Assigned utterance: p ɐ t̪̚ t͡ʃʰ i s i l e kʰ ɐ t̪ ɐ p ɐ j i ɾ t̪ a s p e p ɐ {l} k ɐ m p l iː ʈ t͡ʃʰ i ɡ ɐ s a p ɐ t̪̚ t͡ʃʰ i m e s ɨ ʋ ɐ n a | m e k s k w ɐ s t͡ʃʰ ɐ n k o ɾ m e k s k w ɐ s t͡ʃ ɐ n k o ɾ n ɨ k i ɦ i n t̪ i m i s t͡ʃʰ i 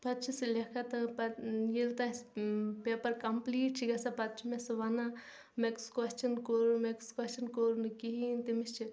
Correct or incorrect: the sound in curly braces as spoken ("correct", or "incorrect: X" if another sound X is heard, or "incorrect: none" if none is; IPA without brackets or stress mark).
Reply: incorrect: ɾ